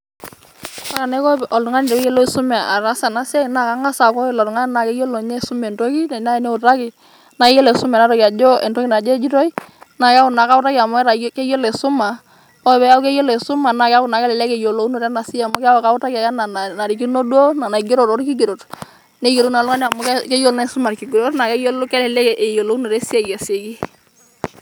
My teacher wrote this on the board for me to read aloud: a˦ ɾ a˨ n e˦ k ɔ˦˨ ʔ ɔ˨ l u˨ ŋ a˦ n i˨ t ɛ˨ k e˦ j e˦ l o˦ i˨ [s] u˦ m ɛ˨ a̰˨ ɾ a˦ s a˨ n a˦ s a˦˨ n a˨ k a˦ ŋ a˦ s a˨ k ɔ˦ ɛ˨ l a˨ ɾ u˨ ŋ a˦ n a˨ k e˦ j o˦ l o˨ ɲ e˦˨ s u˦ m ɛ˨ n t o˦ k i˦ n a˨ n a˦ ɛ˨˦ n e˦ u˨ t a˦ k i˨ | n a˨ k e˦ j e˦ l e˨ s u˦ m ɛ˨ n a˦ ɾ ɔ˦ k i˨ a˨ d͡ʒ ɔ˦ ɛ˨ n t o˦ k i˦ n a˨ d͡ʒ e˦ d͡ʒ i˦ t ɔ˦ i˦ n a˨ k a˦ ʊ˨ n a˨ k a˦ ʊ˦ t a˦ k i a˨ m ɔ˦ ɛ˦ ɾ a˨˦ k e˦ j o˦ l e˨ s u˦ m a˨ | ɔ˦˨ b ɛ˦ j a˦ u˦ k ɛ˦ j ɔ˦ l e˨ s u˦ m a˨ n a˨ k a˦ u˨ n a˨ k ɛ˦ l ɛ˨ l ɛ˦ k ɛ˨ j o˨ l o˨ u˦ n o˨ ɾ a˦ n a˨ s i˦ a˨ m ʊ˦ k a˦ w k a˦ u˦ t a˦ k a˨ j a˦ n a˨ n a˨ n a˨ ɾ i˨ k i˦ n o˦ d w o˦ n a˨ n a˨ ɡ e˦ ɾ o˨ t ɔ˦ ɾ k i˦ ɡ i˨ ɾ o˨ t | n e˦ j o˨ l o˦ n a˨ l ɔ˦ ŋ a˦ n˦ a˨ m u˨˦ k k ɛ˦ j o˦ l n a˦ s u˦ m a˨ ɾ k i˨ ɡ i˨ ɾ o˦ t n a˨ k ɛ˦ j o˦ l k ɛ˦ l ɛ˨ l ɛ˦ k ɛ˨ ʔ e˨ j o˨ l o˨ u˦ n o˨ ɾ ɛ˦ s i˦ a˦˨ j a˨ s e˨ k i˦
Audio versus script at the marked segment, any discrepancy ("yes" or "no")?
no